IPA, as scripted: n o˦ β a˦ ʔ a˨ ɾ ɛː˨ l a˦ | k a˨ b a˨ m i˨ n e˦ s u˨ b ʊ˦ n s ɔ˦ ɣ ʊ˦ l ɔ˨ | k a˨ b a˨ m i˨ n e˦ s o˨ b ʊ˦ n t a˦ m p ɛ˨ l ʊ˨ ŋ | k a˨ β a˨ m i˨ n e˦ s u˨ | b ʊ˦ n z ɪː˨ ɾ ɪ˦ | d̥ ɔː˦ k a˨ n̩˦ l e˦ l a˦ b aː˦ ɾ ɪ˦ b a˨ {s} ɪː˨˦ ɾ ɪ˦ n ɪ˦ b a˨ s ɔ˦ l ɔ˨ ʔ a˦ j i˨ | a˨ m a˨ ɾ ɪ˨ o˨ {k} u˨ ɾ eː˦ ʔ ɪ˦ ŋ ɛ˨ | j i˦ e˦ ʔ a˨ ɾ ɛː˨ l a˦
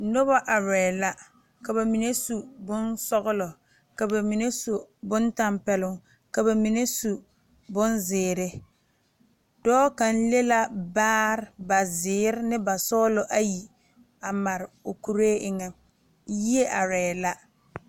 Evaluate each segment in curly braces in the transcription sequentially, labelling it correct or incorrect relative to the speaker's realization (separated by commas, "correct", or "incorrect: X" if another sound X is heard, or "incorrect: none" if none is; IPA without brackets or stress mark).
incorrect: z, correct